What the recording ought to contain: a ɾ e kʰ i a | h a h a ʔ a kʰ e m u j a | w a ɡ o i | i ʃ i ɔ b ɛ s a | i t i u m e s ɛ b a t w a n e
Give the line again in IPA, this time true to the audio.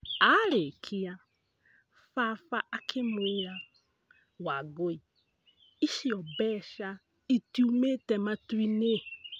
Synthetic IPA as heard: a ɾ e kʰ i a | f a f a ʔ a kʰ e m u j a | w a ɡ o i | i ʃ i ɔ b ɛ ʃ a | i t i u m e t ɛ m a t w i n e